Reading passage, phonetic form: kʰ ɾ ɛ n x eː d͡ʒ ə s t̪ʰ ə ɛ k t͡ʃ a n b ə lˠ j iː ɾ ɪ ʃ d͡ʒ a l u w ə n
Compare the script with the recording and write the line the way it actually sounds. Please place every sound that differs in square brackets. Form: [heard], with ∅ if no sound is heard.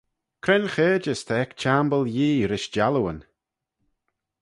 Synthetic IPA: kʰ ɾ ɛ n x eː d͡ʒ ə s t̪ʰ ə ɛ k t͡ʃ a [m] b ə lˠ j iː ɾ ɪ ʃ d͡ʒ a l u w ə n